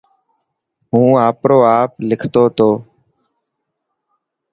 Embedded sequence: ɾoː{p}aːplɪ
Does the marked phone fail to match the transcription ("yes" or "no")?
yes